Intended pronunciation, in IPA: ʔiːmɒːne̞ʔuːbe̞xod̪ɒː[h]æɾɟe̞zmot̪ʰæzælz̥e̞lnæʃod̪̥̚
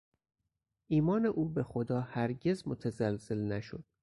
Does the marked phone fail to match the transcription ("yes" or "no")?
no